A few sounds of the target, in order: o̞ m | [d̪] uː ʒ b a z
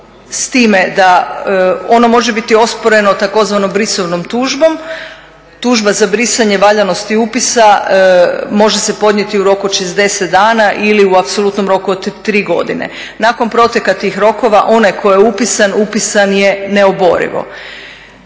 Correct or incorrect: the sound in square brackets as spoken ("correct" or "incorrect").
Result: incorrect